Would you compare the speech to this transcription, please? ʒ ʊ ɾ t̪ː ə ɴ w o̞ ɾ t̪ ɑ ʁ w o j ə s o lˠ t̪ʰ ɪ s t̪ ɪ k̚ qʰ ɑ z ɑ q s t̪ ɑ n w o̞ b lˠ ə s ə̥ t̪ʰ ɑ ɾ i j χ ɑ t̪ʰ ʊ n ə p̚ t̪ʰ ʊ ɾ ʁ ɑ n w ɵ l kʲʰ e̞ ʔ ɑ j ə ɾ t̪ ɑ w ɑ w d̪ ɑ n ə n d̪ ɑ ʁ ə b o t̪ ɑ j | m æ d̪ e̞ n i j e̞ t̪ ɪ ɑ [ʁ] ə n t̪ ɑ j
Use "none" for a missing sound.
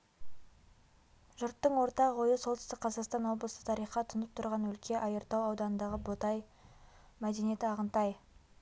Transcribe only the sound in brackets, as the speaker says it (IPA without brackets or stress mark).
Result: ʁ